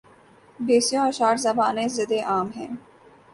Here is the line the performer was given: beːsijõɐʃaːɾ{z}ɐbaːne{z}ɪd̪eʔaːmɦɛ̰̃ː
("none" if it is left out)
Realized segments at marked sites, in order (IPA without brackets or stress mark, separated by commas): z, z